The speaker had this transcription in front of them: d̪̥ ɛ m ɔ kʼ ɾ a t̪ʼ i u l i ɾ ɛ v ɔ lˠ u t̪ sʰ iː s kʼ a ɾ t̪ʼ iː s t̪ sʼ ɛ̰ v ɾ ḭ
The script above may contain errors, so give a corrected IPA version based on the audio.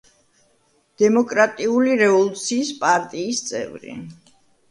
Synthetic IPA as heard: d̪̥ ɛ m ɔ kʼ ɾ a t̪ʼ i u l i ɾ ɛ v ɔ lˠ u t̪ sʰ iː s pʼ a ɾ t̪ʼ iː s t̪ sʼ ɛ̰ v ɾ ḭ